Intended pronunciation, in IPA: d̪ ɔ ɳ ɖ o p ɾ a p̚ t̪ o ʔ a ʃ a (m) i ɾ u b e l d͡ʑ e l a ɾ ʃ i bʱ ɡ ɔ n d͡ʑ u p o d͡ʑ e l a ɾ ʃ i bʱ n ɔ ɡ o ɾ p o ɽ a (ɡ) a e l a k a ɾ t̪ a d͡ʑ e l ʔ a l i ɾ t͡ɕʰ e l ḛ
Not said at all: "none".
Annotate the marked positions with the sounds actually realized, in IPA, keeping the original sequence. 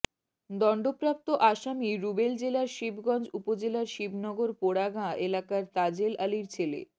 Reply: m, ɡ

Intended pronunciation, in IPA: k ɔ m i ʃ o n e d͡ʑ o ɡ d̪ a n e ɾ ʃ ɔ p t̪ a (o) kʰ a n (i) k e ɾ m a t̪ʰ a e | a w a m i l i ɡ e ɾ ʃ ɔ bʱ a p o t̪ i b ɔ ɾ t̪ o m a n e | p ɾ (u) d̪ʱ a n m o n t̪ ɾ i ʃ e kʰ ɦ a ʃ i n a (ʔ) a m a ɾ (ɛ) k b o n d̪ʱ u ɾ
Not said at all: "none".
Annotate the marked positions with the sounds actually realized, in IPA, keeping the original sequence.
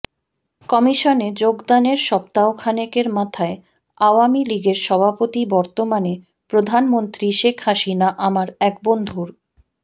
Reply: o, e, o, ʔ, ɛ

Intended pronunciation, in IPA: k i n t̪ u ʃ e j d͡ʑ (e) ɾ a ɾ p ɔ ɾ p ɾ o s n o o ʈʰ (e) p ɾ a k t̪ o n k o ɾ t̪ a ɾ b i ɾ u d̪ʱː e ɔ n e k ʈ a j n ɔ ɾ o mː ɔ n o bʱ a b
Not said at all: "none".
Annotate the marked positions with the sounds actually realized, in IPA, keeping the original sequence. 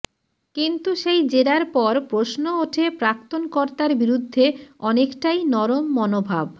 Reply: e, e

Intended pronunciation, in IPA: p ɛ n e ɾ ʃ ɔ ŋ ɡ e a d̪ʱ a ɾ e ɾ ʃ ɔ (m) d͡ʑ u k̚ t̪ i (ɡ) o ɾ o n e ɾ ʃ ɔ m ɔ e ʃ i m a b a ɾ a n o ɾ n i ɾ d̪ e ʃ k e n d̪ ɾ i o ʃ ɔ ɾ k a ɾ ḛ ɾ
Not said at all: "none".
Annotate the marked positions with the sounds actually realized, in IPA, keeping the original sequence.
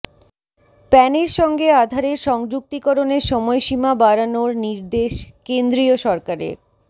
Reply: ŋ, k

